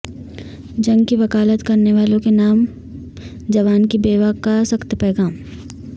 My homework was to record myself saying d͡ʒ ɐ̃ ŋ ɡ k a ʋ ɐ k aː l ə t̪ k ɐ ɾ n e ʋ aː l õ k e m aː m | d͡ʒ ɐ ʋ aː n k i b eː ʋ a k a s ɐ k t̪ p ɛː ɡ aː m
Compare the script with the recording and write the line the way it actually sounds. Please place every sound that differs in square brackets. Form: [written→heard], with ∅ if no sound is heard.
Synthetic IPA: d͡ʒ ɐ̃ ŋ ɡ k [a→i] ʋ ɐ k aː l ə t̪ k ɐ ɾ n e ʋ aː l õ k e [m→n] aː m | d͡ʒ ɐ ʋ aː n k i b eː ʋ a k a s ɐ k t̪ p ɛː ɡ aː m